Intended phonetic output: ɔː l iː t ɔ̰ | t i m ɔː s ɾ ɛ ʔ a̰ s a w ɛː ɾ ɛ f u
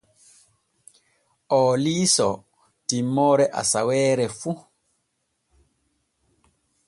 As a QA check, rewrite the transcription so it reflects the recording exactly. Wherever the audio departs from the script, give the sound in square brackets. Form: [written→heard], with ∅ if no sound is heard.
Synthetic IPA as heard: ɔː l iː [t→s] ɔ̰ | t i m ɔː [s→∅] ɾ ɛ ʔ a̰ s a w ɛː ɾ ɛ f u